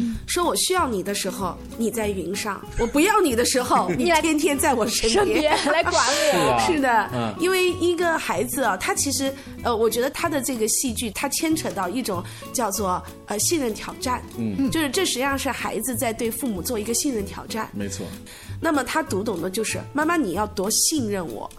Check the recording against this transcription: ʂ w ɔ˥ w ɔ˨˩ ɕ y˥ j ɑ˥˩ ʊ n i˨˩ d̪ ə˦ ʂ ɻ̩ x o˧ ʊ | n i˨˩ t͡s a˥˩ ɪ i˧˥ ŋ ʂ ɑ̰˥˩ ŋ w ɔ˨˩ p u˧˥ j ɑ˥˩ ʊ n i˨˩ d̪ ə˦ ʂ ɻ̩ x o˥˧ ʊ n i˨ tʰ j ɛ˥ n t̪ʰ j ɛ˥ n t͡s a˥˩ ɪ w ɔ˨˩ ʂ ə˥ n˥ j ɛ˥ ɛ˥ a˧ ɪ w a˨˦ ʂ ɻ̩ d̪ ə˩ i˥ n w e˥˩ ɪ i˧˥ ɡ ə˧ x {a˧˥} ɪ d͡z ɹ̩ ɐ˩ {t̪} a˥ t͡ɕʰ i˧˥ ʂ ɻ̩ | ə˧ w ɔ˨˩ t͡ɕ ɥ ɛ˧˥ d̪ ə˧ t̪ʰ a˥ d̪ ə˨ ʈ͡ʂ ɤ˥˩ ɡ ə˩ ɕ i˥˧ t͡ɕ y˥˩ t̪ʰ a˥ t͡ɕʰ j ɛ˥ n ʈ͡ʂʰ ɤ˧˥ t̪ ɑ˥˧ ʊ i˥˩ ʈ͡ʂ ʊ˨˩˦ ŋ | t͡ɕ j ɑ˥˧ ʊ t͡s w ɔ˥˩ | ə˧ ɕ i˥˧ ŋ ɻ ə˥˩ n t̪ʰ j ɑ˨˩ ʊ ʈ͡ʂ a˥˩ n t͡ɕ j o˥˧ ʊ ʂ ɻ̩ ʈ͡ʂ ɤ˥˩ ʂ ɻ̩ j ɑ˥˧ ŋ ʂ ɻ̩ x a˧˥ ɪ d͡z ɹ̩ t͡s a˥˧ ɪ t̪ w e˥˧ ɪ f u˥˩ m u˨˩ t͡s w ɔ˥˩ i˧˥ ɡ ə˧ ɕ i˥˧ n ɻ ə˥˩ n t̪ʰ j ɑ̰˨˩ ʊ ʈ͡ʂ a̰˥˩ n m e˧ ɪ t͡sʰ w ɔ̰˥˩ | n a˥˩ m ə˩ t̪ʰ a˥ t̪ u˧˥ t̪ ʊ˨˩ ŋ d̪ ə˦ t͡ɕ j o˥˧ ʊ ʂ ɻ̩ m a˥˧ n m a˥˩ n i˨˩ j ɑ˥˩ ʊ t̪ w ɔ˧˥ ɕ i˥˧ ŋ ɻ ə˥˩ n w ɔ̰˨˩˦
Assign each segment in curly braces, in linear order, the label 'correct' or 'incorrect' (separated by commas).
correct, incorrect